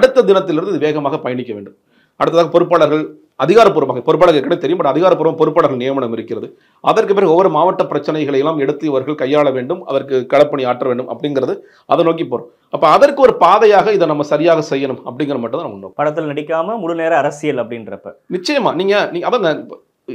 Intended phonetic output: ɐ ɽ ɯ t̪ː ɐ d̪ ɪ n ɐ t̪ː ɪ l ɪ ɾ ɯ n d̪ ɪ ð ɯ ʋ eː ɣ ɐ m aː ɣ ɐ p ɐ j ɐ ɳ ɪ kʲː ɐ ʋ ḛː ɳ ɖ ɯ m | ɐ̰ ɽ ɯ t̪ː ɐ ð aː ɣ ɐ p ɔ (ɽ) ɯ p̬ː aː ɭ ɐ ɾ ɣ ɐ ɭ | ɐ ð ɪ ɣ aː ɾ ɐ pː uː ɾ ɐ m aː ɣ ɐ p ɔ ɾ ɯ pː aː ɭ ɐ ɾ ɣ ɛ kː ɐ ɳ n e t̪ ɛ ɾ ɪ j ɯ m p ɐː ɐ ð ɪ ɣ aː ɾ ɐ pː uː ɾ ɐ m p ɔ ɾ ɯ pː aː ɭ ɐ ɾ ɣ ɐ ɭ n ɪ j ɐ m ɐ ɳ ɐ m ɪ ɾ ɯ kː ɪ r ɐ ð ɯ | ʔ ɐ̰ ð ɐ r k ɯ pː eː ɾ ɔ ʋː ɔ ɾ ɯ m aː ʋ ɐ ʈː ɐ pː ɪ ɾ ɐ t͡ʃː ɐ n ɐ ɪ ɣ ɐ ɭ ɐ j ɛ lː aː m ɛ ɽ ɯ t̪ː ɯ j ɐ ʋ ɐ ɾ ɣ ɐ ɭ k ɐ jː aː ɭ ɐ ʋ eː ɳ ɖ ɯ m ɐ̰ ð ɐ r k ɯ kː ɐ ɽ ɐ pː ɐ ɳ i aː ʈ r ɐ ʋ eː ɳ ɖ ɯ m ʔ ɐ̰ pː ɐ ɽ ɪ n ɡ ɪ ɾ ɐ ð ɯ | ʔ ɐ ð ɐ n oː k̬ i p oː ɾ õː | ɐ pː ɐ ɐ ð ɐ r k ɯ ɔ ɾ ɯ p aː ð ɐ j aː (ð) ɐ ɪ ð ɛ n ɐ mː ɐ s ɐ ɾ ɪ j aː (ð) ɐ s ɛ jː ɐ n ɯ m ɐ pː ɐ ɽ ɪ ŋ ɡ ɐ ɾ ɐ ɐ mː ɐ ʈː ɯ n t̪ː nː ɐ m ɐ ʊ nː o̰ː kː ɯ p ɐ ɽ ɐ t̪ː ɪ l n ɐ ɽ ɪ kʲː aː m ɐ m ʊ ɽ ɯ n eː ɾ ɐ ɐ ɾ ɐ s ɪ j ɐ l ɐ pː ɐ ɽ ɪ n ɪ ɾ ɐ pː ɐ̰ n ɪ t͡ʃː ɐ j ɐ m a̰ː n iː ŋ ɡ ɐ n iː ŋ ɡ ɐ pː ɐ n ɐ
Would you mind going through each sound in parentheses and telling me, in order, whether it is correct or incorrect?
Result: incorrect: ɾ, incorrect: ɣ, incorrect: ɣ

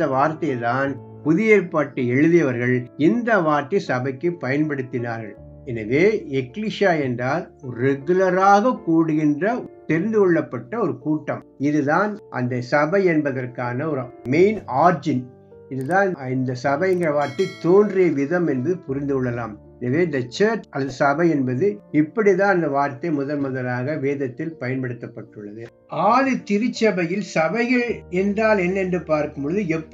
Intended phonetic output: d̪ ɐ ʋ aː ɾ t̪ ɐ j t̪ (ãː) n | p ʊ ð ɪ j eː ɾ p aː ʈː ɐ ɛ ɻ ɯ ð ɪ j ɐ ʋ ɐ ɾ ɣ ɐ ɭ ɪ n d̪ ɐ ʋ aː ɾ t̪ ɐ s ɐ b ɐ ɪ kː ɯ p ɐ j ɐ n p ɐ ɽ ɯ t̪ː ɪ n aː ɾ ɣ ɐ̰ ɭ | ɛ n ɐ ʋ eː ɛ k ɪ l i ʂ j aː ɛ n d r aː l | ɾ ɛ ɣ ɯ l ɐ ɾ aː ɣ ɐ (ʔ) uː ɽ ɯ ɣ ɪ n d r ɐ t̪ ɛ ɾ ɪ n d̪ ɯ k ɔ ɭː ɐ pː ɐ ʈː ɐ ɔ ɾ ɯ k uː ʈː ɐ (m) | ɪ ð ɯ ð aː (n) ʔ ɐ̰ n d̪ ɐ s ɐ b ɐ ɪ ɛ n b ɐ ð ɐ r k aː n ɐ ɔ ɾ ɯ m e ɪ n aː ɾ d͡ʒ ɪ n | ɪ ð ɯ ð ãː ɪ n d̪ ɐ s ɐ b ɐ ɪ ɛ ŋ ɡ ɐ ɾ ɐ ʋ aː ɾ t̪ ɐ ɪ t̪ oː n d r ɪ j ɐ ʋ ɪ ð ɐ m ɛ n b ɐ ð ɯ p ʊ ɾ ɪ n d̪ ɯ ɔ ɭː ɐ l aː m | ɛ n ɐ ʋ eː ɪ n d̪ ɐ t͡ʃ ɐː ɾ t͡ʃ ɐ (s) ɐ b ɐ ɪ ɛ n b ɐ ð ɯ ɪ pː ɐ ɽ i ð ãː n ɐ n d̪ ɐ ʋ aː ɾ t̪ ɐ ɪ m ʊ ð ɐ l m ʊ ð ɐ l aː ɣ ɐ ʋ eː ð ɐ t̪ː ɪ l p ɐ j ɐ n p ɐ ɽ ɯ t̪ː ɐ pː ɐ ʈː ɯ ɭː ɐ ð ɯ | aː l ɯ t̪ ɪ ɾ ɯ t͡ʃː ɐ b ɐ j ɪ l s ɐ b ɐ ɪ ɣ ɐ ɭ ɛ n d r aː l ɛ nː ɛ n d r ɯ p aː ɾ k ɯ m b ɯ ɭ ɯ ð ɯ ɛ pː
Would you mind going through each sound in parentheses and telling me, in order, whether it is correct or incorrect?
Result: incorrect: aː, incorrect: k, correct, correct, correct

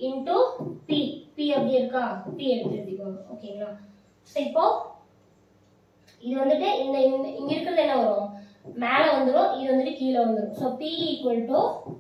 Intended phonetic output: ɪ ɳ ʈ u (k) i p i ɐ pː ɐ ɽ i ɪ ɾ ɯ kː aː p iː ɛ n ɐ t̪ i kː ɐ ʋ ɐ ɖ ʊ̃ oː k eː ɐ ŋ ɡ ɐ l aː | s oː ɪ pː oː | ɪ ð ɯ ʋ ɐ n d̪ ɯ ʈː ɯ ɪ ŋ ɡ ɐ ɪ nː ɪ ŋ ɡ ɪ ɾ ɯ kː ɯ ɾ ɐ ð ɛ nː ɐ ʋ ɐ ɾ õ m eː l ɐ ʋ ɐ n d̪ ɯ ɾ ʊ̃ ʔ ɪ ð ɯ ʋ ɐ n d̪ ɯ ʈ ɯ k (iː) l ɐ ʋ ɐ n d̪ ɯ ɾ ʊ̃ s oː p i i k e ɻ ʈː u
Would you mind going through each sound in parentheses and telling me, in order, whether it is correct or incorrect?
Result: incorrect: p, correct

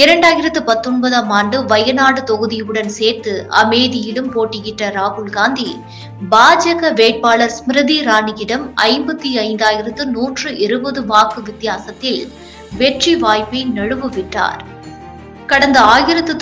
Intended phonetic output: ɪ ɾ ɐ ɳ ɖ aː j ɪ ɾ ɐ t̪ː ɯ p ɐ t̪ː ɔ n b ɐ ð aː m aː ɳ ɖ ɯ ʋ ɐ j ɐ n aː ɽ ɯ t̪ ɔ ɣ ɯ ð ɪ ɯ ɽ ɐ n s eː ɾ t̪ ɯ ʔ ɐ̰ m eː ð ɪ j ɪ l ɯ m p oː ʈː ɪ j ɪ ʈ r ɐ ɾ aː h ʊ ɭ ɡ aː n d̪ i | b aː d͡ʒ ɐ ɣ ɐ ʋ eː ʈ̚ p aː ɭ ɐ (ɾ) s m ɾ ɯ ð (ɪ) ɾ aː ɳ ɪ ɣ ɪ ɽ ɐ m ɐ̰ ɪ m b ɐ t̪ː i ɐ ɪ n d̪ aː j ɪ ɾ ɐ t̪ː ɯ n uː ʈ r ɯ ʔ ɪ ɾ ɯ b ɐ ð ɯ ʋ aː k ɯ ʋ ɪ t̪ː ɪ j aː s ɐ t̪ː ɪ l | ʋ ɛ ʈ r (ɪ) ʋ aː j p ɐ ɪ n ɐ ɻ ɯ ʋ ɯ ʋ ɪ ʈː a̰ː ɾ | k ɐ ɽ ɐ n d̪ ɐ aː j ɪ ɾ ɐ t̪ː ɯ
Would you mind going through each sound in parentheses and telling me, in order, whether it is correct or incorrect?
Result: correct, incorrect: i, incorrect: i

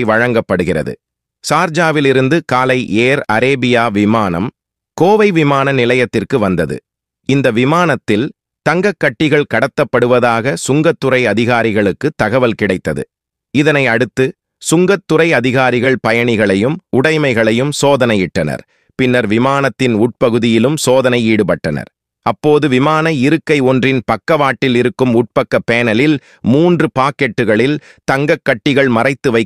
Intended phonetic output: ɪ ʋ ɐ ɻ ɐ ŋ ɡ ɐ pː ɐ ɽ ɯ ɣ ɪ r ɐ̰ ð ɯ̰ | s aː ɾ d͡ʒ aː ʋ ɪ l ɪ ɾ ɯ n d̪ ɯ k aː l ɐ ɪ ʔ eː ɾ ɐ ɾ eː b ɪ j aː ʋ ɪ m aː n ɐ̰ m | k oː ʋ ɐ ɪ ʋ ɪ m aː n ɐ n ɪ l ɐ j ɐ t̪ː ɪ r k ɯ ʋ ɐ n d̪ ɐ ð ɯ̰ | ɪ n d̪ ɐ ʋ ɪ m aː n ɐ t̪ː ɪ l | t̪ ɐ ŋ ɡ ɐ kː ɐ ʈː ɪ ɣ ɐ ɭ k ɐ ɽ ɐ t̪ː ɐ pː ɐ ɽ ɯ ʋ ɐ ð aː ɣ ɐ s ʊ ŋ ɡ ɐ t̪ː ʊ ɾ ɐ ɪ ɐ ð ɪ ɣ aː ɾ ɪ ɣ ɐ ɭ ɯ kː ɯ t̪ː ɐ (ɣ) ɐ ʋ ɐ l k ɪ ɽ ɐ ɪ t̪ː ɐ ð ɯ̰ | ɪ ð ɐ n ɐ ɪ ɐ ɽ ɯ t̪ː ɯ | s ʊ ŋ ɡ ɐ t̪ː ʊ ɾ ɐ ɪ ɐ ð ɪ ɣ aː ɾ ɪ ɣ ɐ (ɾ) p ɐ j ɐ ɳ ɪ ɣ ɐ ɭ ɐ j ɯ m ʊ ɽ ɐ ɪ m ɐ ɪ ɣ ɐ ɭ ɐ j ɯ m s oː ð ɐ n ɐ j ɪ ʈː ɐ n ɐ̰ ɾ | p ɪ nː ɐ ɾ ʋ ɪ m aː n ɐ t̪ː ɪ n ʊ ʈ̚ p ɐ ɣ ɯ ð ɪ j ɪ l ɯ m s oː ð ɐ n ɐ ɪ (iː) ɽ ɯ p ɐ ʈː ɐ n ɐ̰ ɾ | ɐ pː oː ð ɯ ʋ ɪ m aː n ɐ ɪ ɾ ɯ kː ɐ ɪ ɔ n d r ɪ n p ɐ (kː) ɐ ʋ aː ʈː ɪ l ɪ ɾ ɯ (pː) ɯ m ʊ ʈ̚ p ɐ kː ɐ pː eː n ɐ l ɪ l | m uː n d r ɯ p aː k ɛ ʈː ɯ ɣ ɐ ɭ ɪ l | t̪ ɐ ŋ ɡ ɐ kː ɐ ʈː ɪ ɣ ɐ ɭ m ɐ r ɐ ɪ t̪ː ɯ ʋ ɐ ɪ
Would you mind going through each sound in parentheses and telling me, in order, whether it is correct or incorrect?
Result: correct, incorrect: ɭ, correct, correct, incorrect: kː

